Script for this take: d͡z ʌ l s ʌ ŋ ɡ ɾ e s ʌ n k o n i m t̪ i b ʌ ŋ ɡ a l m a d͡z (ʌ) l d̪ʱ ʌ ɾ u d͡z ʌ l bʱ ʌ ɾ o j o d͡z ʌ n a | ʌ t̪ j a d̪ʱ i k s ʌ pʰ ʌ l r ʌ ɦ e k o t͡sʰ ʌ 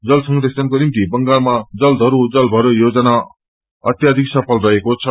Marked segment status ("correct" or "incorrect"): correct